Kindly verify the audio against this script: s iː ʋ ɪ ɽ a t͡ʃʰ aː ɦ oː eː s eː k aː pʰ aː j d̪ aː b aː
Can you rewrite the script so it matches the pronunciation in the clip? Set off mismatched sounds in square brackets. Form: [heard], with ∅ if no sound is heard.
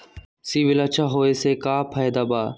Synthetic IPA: s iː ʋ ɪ [l] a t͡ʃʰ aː ɦ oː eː s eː k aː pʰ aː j d̪ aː b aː